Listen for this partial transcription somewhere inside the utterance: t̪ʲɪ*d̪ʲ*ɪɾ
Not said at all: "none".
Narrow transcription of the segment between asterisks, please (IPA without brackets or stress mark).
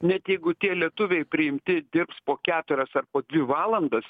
d̪ʲ